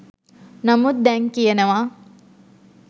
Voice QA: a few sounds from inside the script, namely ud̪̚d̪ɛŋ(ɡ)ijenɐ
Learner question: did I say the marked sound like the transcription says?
no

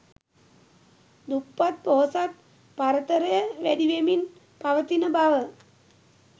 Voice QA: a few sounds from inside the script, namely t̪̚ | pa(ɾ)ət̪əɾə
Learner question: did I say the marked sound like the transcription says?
yes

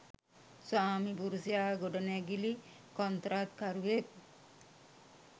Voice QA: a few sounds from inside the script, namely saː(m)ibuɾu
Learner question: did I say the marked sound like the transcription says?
yes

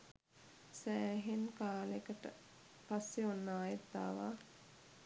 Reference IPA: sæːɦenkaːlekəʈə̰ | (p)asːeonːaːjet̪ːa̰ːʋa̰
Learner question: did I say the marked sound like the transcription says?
yes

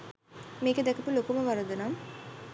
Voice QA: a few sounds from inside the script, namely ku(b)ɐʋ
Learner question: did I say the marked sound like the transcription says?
no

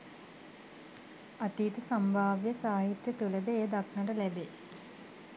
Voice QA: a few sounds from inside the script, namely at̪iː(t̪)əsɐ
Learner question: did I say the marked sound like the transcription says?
yes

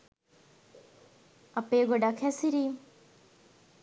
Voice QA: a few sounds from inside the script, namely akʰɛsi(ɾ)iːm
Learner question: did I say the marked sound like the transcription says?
yes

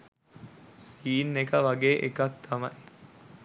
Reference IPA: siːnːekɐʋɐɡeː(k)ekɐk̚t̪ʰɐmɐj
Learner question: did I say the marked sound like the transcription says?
no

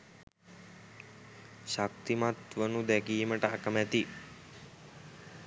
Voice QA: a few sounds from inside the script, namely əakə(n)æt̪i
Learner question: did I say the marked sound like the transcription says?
no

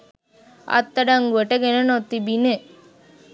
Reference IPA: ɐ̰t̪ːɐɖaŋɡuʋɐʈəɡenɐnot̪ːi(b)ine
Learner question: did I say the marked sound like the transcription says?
yes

